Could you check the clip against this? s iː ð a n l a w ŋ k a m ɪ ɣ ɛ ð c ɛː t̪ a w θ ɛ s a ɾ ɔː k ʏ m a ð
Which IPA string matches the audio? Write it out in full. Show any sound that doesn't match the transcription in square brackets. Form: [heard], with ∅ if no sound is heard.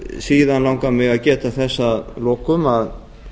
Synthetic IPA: s iː ð a n l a w ŋ k a m ɪ ɣ [a] ð c ɛː t̪ a [∅] θ ɛ [sː] a [l] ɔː k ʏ m a ð

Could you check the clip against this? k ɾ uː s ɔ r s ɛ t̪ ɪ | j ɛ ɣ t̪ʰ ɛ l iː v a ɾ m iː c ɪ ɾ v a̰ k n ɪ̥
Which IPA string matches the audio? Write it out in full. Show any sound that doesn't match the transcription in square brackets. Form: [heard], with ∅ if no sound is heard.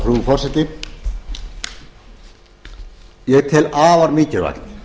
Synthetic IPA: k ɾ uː [f] ɔ r s ɛ t̪ ɪ | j ɛ ɣ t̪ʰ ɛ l [aː] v a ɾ m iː c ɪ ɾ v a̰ k n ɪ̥

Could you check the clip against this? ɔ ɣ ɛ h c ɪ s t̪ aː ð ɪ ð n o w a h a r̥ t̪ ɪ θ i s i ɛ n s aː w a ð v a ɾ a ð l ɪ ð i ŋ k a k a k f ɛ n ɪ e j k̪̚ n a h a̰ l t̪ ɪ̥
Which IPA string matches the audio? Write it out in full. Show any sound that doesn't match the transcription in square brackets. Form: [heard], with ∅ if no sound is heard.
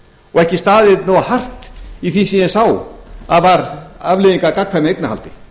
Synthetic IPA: ɔ ɣ ɛ h c ɪ s t̪ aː ð ɪ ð n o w a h a r̥ t̪ [i] θ i s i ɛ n s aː w a ð v a ɾ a [v] l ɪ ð i ŋ k a k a k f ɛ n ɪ e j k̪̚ n a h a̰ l t̪ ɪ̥

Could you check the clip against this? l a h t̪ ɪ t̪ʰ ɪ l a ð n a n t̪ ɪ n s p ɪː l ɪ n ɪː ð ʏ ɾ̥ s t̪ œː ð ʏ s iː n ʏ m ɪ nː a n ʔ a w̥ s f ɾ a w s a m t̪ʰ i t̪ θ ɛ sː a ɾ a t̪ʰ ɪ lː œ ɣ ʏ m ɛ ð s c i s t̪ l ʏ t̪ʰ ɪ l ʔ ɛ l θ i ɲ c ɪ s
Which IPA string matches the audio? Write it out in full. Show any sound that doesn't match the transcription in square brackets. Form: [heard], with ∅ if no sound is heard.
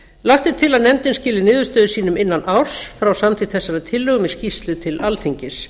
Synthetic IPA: l a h t̪ ɪ t̪ʰ ɪ l a ð n [ɛ] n t̪ ɪ n s [c] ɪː l ɪ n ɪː ð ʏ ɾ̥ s t̪ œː ð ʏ s iː n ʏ m ɪ nː a n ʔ a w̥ s f ɾ a w s a m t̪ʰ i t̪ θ ɛ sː a ɾ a t̪ʰ ɪ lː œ ɣ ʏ m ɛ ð s c i s t̪ l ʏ t̪ʰ ɪ l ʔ [a] l θ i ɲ c ɪ s

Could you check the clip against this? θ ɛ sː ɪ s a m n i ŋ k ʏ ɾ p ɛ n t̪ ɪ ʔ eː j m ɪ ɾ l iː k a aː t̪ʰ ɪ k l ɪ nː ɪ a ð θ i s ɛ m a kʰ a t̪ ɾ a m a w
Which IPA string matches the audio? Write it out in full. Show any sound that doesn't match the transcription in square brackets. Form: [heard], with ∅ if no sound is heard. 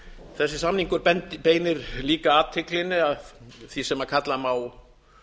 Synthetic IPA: θ ɛ sː ɪ s a m n i ŋ k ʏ ɾ p ɛ n t̪ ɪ [p] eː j [n] ɪ ɾ l iː k a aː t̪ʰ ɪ k l ɪ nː ɪ a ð θ i s ɛ m a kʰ a t̪ [l] a m a w

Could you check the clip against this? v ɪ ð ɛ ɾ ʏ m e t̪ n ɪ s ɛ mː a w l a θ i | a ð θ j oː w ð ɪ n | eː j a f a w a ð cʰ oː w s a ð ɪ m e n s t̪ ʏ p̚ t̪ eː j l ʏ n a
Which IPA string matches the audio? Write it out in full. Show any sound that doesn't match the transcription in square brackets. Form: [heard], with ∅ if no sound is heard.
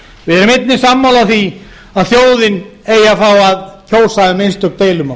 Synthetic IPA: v ɪ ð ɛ ɾ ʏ m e t̪ n ɪ s [a] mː a w l a θ i | a ð θ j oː w ð ɪ n | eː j a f a w a ð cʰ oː w s a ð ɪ m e n s t̪ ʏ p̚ t̪ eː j l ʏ [m] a

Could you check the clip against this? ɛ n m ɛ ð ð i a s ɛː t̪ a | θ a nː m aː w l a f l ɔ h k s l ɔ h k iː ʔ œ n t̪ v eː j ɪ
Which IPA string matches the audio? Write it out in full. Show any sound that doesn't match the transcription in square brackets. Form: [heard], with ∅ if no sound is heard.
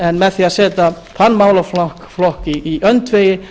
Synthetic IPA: ɛ n m ɛ ð [θ] i a s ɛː t̪ a | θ a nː m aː w l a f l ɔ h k [f] l ɔ h k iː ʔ œ n t̪ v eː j ɪ

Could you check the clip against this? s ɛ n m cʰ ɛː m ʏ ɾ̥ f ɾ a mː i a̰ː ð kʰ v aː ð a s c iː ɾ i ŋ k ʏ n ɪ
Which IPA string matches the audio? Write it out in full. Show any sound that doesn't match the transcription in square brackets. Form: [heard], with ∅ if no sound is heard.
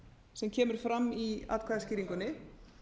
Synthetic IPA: s ɛ [∅] m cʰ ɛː m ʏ ɾ̥ f ɾ a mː i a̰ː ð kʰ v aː ð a s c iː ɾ i ŋ k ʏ n ɪ

